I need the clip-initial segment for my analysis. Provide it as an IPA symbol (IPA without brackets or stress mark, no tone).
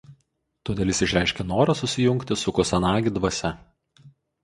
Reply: t̪